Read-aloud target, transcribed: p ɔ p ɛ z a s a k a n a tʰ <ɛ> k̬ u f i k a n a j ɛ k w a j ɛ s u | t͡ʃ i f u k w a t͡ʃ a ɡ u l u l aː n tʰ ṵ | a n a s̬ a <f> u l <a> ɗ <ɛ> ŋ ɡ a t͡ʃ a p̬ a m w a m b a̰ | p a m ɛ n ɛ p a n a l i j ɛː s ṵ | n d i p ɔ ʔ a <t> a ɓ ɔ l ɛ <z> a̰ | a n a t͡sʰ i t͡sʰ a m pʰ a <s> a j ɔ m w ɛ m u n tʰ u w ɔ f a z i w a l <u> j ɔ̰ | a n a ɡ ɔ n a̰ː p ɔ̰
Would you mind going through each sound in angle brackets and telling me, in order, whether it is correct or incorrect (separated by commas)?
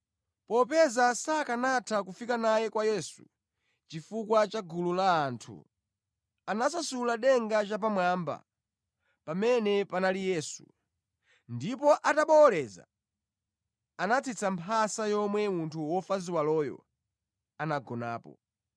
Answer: incorrect, incorrect, correct, correct, correct, correct, correct, incorrect